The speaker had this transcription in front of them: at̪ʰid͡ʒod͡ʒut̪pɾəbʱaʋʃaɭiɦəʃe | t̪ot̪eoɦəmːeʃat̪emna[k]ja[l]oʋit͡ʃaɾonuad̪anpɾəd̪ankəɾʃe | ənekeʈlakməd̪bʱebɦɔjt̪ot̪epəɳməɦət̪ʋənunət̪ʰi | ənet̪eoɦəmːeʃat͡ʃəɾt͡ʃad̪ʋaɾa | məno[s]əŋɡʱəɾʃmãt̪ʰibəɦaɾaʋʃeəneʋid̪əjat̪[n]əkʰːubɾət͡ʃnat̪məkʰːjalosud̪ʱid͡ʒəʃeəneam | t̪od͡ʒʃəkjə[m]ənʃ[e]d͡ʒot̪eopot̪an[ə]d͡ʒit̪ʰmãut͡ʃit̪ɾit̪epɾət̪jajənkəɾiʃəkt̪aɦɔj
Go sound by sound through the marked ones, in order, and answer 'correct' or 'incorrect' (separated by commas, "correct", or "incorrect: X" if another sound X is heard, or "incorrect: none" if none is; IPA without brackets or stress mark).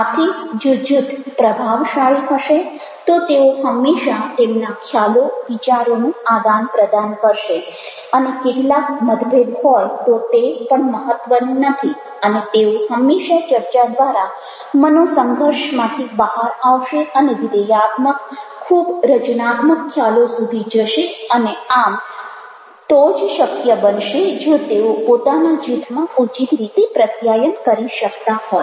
incorrect: kʰ, correct, correct, incorrect: m, incorrect: b, correct, incorrect: a